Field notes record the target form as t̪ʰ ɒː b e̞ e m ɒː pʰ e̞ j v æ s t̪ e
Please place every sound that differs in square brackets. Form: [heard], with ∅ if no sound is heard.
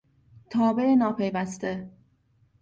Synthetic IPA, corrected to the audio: t̪ʰ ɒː b e̞ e [n] ɒː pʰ e̞ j v æ s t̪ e